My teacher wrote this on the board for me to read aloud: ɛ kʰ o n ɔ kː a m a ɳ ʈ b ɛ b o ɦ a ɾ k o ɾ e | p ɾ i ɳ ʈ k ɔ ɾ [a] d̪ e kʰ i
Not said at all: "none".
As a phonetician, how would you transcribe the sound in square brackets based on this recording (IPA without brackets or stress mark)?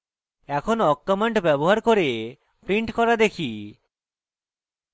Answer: a